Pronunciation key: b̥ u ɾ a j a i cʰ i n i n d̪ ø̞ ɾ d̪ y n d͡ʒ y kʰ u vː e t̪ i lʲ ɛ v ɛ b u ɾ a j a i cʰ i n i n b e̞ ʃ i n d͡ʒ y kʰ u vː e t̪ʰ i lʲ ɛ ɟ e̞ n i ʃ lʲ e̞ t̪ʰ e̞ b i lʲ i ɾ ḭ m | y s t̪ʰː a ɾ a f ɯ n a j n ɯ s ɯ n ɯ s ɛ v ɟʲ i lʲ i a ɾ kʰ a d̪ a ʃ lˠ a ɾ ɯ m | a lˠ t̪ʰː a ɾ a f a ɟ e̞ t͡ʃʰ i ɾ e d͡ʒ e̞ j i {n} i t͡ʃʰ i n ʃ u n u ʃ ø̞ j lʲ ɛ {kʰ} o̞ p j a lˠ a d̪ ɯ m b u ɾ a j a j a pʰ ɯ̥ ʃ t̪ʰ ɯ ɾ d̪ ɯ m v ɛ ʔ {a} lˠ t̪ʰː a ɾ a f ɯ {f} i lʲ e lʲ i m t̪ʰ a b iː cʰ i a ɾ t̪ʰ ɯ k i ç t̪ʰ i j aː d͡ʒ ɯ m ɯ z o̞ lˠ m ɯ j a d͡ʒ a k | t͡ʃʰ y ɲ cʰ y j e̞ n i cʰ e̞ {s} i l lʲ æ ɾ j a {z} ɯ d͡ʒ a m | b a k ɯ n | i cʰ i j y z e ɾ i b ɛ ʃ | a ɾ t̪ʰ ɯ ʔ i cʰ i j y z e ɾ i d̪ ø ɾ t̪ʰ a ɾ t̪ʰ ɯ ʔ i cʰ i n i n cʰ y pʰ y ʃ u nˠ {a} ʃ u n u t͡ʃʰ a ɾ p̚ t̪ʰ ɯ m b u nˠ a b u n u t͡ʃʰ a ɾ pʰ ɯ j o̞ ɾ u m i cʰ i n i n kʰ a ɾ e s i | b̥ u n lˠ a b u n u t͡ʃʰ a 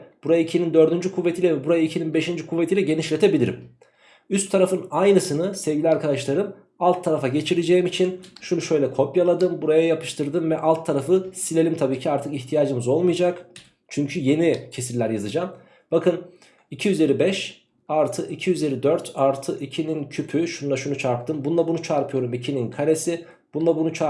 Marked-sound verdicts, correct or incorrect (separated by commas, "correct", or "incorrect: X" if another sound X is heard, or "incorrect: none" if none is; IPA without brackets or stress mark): incorrect: m, correct, correct, incorrect: s, correct, correct, correct